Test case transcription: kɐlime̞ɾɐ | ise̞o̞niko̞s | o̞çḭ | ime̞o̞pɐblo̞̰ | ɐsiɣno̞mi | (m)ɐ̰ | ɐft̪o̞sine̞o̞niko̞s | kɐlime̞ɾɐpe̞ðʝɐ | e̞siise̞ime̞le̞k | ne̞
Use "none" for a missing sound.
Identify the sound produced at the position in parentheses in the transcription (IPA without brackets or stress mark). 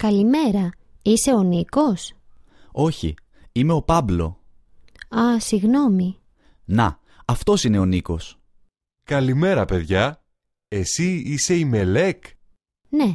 n